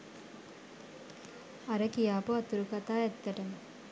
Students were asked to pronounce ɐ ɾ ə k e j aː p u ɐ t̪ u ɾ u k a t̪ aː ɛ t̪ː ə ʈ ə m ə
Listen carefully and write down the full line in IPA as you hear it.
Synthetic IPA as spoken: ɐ ɾ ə k i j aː p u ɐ t̪ u ɾ u k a t̪ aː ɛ t̪ː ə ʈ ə m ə